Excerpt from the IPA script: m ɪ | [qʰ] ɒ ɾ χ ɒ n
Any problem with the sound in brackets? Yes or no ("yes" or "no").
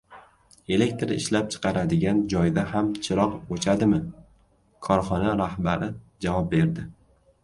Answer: yes